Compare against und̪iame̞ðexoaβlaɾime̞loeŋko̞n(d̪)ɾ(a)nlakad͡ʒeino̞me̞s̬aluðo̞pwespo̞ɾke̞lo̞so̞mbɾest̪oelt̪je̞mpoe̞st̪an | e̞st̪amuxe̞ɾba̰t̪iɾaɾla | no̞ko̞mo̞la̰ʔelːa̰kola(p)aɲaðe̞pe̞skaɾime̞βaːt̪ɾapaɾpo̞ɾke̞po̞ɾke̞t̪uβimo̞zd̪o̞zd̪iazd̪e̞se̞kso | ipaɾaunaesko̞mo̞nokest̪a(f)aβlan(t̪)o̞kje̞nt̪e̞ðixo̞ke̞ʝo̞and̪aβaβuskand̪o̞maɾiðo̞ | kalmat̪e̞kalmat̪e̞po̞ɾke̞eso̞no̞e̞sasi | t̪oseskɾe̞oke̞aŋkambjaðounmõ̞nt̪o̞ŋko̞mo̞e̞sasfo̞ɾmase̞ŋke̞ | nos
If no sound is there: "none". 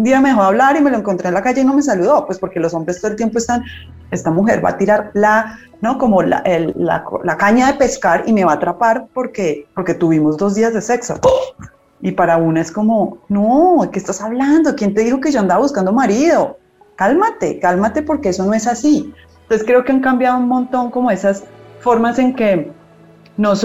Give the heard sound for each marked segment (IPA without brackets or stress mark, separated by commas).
t̪, e, k, s, d̪